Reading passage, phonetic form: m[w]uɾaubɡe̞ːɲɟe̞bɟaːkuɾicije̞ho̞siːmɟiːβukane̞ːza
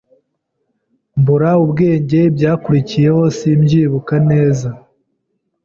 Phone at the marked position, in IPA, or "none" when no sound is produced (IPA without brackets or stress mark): b